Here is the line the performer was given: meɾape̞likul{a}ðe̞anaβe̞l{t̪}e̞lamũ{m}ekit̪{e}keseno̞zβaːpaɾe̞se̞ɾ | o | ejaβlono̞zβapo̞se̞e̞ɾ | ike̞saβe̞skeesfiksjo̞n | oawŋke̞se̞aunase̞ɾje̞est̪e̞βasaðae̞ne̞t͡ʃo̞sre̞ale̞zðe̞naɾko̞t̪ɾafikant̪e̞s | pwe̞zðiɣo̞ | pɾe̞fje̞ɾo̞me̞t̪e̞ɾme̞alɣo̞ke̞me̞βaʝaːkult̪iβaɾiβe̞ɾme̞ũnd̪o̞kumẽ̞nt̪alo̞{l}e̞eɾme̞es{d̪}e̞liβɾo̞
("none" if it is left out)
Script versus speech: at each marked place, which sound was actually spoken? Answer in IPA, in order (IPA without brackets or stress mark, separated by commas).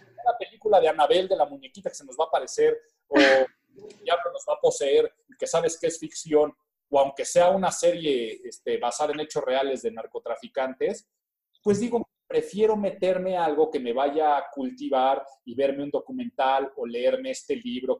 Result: a, d̪, ɲ, a, l, t̪